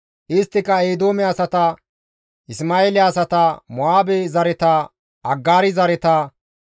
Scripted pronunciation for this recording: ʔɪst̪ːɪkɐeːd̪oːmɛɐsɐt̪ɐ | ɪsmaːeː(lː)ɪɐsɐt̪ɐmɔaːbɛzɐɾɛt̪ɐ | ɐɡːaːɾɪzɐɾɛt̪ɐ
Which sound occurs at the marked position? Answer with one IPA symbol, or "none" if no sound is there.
l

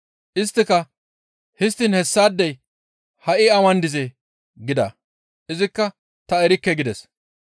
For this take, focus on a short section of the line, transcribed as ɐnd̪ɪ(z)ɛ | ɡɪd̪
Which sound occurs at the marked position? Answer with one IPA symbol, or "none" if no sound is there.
z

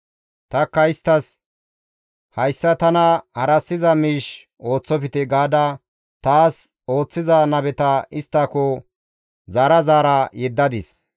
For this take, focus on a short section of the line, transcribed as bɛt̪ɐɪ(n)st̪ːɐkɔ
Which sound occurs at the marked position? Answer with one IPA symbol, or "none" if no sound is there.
none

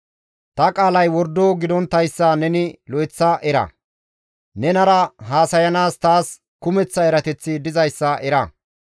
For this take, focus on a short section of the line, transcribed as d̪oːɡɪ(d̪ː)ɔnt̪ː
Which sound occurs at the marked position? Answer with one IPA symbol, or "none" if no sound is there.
d̪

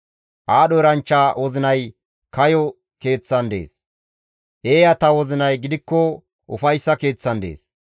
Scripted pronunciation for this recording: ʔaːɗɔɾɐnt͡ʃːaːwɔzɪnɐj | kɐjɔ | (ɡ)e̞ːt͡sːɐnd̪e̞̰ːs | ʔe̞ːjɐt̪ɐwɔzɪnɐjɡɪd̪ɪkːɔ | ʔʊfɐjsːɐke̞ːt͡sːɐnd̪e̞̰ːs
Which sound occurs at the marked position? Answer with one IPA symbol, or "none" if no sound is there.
k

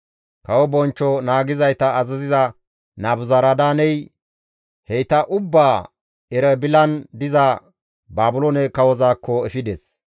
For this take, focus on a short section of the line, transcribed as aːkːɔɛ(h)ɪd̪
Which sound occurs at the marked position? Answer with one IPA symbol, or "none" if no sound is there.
f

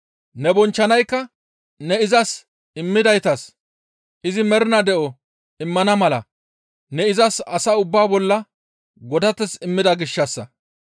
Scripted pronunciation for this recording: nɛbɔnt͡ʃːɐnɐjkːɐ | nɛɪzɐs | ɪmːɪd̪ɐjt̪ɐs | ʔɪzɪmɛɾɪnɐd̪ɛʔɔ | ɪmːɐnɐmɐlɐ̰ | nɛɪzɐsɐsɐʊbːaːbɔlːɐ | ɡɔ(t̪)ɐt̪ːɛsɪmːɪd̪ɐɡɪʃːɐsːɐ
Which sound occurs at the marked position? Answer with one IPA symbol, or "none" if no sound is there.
d̪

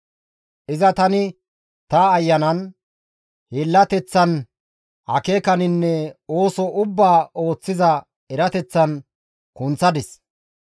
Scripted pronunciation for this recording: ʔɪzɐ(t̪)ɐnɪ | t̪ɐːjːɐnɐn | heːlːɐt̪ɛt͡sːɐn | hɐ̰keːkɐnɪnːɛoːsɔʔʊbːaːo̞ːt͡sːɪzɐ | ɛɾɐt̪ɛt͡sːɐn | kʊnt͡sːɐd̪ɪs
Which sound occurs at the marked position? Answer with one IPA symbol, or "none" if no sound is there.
t̪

